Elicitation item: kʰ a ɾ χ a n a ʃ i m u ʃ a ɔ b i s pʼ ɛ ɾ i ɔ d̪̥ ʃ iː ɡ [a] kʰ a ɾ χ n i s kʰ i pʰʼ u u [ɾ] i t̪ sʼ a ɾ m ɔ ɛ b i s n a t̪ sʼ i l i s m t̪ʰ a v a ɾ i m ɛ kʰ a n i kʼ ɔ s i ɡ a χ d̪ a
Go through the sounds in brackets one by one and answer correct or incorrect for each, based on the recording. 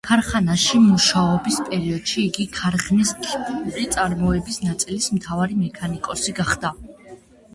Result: incorrect: i, correct

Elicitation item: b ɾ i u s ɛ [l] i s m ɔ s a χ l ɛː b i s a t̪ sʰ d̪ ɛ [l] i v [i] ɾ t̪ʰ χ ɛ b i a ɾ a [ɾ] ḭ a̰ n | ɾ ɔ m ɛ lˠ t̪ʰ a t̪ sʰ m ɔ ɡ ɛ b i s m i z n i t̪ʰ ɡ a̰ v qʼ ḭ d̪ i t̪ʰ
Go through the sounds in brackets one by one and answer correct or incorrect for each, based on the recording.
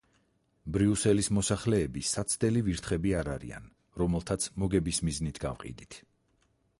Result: correct, correct, correct, correct

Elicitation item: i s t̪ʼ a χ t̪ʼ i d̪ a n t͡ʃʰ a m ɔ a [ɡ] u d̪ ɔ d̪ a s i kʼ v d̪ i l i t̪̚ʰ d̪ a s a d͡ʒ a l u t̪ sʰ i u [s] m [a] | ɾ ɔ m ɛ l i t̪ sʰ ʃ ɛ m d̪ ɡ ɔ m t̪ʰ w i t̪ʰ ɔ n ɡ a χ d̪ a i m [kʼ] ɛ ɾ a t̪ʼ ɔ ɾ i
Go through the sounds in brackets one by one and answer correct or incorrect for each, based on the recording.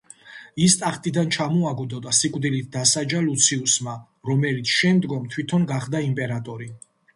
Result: correct, correct, correct, incorrect: pʼ

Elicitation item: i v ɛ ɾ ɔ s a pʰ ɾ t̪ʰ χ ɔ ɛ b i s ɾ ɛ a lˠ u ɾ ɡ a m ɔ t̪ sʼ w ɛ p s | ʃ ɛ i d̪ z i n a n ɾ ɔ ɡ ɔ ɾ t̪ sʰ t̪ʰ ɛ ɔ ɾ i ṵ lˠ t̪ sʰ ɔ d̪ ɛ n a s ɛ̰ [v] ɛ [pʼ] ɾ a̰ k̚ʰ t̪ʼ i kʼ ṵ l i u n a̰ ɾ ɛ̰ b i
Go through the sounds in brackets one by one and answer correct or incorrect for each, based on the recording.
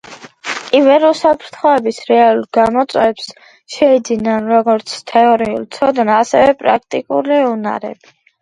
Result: correct, correct

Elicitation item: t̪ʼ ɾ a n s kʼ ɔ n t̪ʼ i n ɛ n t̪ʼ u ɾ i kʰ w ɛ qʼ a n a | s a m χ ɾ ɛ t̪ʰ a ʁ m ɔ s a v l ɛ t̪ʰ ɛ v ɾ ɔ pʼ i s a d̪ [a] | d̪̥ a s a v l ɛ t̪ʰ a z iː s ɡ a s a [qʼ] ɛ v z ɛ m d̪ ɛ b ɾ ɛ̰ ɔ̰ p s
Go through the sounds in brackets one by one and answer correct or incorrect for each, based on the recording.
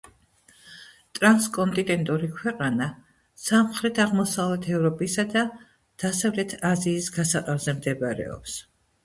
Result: correct, correct

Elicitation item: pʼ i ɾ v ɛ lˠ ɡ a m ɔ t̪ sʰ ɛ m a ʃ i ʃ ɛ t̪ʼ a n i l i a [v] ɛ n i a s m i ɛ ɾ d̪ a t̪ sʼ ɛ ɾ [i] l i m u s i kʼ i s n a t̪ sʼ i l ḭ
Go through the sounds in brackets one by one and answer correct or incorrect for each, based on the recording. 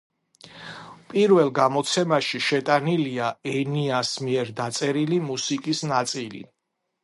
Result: incorrect: none, correct

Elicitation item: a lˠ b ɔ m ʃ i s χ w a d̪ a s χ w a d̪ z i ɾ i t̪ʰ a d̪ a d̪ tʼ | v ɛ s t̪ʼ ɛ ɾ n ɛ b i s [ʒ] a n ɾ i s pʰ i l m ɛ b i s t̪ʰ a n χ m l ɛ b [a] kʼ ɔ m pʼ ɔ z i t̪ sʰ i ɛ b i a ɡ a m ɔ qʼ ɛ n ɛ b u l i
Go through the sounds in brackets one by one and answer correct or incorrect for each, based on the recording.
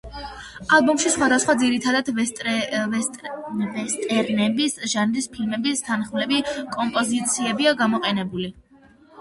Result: correct, incorrect: i

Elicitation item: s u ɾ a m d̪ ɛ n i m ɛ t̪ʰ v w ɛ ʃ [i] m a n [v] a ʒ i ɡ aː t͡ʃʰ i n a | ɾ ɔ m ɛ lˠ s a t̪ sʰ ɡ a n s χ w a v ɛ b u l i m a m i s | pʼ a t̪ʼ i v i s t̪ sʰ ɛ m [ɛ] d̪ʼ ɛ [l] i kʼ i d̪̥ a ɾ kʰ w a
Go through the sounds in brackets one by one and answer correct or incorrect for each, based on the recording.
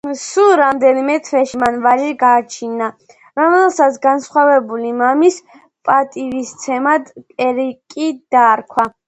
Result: correct, correct, incorrect: a, incorrect: ɾ

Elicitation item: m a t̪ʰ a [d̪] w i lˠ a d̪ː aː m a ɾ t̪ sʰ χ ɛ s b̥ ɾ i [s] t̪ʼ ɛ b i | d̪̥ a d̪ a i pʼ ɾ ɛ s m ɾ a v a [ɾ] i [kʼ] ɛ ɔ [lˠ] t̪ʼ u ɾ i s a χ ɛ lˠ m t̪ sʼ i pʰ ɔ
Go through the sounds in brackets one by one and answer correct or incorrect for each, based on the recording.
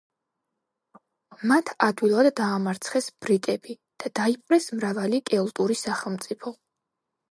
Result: correct, incorrect: none, incorrect: l, correct, correct

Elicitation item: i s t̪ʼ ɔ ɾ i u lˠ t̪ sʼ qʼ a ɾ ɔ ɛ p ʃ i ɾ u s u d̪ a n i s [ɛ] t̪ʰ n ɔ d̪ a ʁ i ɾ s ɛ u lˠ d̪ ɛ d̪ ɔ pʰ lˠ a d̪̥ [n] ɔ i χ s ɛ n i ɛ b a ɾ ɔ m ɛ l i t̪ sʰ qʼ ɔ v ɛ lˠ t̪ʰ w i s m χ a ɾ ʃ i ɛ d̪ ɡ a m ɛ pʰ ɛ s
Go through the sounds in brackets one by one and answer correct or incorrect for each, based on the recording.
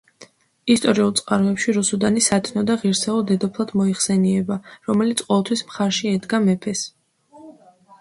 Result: incorrect: a, incorrect: m

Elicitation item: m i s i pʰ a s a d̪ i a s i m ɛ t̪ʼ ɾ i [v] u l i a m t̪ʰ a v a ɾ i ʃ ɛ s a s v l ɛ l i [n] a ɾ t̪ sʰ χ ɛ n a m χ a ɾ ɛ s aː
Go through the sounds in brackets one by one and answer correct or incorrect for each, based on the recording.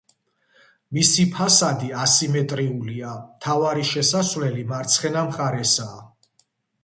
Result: incorrect: none, incorrect: m

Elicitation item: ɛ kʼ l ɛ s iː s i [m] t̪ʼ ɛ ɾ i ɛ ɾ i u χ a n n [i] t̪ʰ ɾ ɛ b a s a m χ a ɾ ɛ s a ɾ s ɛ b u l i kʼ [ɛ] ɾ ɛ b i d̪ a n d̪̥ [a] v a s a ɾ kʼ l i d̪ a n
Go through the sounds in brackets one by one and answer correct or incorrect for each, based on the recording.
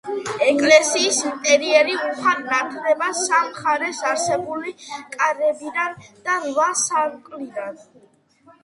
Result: incorrect: n, incorrect: a, incorrect: a, correct

